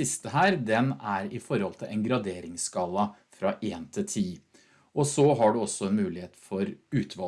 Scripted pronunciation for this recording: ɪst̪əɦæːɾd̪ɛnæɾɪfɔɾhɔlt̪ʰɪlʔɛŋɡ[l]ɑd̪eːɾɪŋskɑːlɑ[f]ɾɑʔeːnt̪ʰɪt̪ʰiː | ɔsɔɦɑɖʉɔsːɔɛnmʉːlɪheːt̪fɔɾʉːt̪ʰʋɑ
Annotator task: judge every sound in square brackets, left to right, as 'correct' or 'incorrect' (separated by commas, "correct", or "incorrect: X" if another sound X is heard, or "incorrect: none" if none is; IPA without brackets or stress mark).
incorrect: ɾ, correct